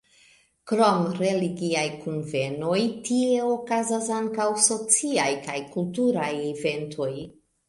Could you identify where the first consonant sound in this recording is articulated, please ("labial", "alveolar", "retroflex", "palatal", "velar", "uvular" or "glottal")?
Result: velar